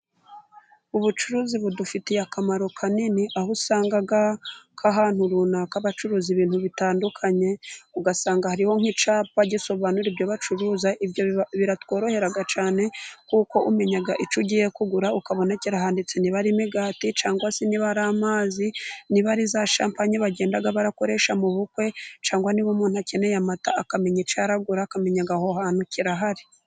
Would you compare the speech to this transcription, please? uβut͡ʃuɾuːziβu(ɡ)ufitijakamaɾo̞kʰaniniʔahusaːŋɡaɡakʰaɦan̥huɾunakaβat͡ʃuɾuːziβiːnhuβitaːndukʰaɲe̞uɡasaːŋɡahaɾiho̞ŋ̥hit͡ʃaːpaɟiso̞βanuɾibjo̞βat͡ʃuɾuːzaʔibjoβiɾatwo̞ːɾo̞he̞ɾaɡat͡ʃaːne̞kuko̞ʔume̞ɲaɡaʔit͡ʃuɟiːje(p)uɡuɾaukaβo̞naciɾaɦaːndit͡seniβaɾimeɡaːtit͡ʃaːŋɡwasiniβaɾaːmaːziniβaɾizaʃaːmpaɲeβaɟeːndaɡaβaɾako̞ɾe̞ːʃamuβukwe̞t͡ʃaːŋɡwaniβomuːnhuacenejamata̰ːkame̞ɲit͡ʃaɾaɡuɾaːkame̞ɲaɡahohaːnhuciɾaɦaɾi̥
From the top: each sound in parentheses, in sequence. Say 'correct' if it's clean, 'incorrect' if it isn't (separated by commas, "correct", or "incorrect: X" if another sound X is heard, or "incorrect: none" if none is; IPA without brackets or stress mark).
incorrect: d, incorrect: k